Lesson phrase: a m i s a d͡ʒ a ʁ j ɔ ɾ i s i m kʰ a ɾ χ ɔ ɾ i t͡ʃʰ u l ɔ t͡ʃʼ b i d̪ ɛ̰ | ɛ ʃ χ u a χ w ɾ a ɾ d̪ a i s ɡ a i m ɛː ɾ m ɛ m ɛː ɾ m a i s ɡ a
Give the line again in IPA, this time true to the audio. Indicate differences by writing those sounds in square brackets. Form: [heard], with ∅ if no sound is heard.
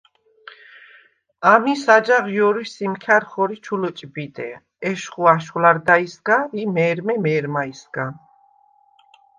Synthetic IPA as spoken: a m i s a d͡ʒ a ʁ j ɔ ɾ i s i m kʰ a ɾ χ ɔ ɾ i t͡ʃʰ u l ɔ t͡ʃʼ b i d̪ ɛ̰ | ɛ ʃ χ u a [ʃ] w [l] a ɾ d̪ a i s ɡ a i m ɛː ɾ m ɛ m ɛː ɾ m a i s ɡ a

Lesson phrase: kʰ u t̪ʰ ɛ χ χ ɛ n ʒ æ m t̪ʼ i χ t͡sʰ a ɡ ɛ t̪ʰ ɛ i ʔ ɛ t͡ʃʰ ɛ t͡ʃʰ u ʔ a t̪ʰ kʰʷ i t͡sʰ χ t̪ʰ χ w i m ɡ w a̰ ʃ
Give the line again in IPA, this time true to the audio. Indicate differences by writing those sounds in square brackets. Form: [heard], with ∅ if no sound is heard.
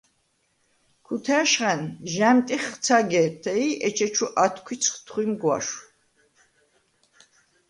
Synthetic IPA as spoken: kʰ u t̪ʰ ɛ [ʃ] χ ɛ n ʒ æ m t̪ʼ i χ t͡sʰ a ɡ ɛ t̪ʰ ɛ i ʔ ɛ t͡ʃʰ ɛ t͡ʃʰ u ʔ a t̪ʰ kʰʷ i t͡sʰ χ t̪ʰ χ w i m ɡ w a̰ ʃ

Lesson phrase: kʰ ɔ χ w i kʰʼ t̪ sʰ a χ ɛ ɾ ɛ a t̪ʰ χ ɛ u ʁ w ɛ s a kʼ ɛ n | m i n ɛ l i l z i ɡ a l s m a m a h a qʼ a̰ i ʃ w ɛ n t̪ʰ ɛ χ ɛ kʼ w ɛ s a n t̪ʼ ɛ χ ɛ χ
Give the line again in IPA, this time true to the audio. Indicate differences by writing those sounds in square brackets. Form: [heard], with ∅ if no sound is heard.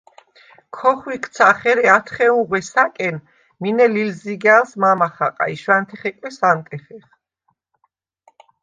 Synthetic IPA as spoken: kʰ ɔ χ w i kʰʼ t̪ sʰ a χ ɛ ɾ ɛ a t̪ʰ χ ɛ u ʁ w ɛ s a kʼ ɛ n | m i n ɛ l i l z i ɡ a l s m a m a [χ] a qʼ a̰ i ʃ w [a] n t̪ʰ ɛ χ ɛ kʼ w ɛ s a n t̪ʼ ɛ χ ɛ χ

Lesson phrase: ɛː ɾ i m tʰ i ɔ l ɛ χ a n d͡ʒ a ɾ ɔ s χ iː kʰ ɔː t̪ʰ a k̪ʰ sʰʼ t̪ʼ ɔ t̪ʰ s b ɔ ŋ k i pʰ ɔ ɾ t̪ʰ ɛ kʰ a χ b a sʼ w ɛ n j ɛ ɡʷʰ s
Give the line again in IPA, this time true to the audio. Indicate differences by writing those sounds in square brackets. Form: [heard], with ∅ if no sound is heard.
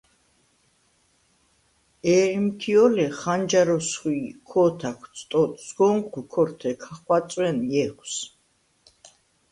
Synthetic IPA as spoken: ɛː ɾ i m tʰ i ɔ l ɛ χ a n d͡ʒ a ɾ ɔ s χ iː kʰ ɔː t̪ʰ a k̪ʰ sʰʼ t̪ʼ ɔ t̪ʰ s [ɡ] ɔ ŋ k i [kʰ] ɔ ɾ t̪ʰ ɛ kʰ a χ [w] a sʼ w ɛ n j ɛ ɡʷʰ s

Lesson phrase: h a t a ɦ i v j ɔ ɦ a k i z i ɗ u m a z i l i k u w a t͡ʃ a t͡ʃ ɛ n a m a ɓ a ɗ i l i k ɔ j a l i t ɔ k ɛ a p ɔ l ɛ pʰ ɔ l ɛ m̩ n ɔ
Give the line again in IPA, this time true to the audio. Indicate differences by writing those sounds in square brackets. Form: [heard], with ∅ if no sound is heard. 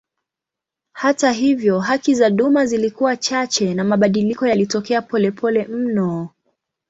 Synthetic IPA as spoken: h a t a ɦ i v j ɔ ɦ a k i z [a] ɗ u m a z i l i k u w a t͡ʃ a t͡ʃ ɛ n a m a ɓ a ɗ i l i k ɔ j a l i t ɔ k ɛ a p ɔ l ɛ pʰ ɔ l ɛ m̩ n ɔ

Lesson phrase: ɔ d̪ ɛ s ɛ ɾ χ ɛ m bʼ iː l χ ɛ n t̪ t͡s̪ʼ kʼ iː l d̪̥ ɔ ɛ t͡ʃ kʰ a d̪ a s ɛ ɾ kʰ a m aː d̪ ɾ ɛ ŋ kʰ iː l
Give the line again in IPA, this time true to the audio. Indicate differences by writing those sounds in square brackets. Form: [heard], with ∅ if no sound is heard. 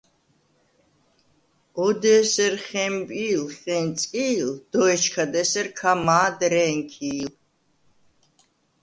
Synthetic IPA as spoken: ɔ d̪ ɛ s ɛ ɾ χ ɛ m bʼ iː l χ ɛ n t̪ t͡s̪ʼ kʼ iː l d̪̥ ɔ ɛ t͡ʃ kʰ a d̪ [ɛ] s ɛ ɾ kʰ a m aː d̪ ɾ ɛ ŋ kʰ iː l

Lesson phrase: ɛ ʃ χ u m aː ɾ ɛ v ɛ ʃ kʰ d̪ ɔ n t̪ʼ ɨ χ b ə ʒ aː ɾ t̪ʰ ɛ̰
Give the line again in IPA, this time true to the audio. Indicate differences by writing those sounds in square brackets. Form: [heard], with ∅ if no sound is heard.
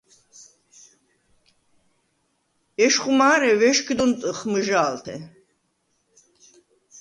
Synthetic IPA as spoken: ɛ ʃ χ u m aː ɾ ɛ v ɛ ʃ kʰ d̪ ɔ n t̪ʼ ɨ χ [m] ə ʒ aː [l] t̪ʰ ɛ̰

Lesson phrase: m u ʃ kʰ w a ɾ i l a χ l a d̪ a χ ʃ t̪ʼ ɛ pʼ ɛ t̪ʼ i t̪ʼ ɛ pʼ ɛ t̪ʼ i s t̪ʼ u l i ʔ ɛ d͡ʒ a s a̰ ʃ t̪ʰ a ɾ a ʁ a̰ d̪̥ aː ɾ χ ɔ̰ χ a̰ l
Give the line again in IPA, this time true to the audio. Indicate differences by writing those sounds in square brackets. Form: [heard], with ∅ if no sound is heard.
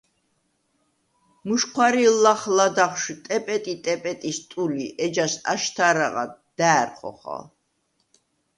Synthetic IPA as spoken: m u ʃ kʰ w a ɾ i l a χ l a d̪ a χ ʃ t̪ʼ ɛ pʼ ɛ t̪ʼ i t̪ʼ ɛ pʼ ɛ t̪ʼ i s t̪ʼ u l i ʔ ɛ d͡ʒ a s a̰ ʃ t̪ʰ a ɾ a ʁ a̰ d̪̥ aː ɾ χ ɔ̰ χ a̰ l

